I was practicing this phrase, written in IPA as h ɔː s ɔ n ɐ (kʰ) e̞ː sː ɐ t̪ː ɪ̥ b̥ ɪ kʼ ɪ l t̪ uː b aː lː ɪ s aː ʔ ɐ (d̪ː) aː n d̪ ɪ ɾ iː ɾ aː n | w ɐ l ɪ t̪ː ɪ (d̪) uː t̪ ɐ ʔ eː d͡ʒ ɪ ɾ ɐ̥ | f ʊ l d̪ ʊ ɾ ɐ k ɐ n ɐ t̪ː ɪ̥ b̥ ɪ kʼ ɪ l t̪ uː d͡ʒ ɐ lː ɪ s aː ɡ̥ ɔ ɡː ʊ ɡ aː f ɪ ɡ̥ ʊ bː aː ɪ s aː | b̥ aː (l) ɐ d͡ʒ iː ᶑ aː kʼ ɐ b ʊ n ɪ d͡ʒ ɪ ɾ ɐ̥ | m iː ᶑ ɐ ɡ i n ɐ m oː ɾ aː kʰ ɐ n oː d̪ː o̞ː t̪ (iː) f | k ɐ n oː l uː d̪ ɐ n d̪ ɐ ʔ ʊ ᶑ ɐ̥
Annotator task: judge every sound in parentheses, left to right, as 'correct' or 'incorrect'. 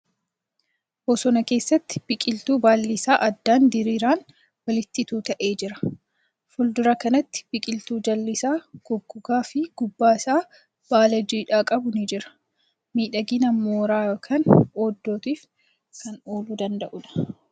incorrect, correct, incorrect, correct, correct

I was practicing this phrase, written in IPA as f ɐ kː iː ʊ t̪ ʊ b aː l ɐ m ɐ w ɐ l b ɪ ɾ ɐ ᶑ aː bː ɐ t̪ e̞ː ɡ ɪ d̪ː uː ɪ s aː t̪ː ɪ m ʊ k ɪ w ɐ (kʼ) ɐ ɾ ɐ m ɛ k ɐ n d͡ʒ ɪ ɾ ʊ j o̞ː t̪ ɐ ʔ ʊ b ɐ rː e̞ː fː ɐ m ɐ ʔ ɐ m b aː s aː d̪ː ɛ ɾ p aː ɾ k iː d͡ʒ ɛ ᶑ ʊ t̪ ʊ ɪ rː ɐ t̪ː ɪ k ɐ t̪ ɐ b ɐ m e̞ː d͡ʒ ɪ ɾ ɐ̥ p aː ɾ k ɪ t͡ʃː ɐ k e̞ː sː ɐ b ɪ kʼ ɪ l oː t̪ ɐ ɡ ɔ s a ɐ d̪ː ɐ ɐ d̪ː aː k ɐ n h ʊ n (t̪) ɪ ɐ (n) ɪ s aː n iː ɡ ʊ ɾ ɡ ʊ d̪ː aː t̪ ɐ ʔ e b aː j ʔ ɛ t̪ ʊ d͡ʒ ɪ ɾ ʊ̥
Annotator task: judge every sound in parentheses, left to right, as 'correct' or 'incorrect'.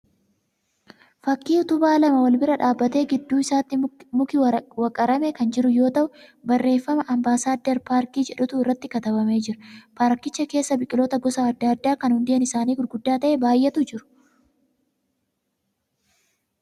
correct, incorrect, correct

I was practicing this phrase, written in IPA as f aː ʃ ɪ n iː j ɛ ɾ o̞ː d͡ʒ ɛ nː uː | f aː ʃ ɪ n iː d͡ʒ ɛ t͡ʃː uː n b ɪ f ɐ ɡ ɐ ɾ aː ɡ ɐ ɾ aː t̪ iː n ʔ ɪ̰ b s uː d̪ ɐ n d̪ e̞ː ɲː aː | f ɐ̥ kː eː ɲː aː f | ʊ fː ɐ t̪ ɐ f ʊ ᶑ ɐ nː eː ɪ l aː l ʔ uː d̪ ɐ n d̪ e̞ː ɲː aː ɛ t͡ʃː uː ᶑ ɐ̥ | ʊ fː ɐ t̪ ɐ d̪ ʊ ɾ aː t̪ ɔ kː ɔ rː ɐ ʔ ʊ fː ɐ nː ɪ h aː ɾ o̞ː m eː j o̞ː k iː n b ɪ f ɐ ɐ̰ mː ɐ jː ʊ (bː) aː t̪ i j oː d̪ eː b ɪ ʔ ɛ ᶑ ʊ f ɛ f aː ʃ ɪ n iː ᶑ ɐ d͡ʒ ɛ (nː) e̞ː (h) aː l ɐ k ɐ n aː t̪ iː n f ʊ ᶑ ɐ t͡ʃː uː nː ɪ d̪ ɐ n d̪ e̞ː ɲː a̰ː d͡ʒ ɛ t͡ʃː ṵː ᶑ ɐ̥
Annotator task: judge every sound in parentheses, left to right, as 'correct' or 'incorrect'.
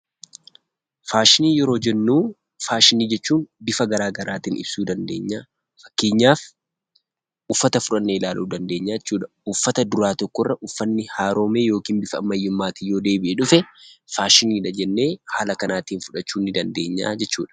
incorrect, correct, correct

